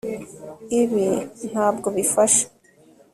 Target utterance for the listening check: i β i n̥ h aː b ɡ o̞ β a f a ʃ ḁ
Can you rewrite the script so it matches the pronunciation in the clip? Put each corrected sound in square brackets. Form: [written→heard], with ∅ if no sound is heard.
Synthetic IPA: i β i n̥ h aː b ɡ o̞ β [a→i] f a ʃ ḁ